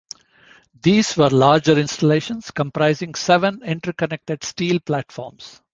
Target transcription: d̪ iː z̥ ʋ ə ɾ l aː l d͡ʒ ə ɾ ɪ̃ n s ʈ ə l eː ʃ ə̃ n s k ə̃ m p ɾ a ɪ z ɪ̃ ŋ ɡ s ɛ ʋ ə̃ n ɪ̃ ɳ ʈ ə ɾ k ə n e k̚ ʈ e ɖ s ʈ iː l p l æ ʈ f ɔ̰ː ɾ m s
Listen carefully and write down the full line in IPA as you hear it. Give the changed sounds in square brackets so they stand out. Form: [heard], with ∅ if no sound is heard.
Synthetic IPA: d̪ iː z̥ ʋ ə ɾ l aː [ɾ] d͡ʒ ə ɾ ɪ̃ n s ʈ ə l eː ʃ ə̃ n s k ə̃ m p ɾ a ɪ z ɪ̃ ŋ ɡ s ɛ ʋ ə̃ n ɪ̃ ɳ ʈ ə ɾ k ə n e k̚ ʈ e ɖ s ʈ iː l p l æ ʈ f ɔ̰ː ɾ m s